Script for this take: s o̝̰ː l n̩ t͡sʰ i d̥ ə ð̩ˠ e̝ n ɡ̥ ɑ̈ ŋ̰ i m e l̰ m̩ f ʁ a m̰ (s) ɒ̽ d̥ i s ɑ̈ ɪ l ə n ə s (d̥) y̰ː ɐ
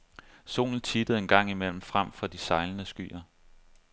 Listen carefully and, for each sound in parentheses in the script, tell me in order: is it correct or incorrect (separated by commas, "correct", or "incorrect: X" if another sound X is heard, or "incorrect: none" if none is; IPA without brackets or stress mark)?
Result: incorrect: f, incorrect: ɡ̥